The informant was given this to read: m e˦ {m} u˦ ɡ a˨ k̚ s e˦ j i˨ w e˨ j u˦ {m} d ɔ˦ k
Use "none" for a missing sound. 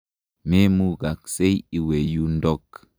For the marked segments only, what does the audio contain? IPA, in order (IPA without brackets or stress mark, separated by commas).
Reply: m, n